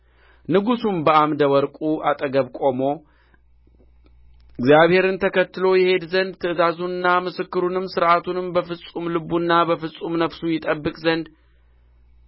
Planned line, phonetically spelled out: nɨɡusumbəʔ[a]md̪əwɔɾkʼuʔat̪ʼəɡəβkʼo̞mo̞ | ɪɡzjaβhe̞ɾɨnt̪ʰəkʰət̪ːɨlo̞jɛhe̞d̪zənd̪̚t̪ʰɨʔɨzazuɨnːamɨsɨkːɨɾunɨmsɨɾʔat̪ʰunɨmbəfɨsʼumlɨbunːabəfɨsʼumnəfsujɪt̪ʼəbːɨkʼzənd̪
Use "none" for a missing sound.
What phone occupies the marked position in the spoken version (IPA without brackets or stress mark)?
a